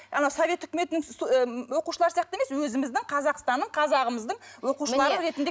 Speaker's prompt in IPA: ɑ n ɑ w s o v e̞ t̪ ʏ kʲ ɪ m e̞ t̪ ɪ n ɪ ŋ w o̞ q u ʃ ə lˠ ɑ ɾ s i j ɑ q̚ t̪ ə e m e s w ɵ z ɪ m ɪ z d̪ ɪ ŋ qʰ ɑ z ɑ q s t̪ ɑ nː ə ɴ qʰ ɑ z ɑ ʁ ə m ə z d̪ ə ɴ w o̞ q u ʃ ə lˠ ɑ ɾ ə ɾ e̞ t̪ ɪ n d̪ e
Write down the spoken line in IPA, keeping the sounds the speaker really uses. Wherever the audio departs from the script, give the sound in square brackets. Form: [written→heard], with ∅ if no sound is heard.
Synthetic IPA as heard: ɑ n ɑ w s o v e̞ t̪ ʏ kʲ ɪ m e̞ t̪ ɪ n ɪ ŋ w o̞ q u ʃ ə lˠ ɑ ɾ s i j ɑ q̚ t̪ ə e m e s w ɵ z ɪ m ɪ z d̪ ɪ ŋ qʰ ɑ z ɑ q s t̪ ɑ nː ə ɴ qʰ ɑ z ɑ ʁ ə m ə z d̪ ə ɴ w o̞ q u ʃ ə lˠ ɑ ɾ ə ɾ e̞ t̪ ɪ n d̪ e